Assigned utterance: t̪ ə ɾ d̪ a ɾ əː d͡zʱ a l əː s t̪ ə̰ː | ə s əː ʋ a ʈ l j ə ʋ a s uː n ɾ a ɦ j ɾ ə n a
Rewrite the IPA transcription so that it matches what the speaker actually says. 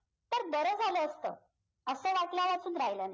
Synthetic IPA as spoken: t̪ ə ɾ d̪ ə ɾ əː d͡zʱ a l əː s t̪ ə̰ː | ə s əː ʋ a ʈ l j a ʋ a t͡s uː n ɾ a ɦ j l ə n a